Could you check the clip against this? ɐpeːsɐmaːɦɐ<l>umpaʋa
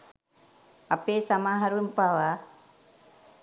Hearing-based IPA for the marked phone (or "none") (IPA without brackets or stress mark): ɾ